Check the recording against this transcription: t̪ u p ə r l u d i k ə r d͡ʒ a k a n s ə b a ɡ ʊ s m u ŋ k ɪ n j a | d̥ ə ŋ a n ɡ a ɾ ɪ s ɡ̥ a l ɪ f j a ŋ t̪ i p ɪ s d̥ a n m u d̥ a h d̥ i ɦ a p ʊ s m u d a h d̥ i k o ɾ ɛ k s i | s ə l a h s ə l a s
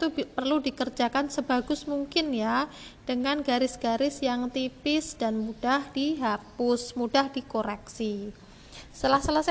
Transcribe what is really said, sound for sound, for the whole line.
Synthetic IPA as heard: t̪ u p ə r l u d i k ə r d͡ʒ a k a n s ə b a ɡ ʊ s m u ŋ k ɪ n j a | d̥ ə ŋ a n ɡ a ɾ ɪ s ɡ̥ a ɾ ɪ s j a ŋ t̪ i p ɪ s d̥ a n m u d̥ a h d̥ i ɦ a p ʊ s m u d a h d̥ i k o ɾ ɛ k s i | s ə l a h s ə l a s